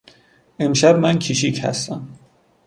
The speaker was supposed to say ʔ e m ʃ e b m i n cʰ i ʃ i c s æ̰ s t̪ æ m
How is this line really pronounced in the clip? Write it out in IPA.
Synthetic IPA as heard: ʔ e m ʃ æ b m æ n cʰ i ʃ i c h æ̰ s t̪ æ m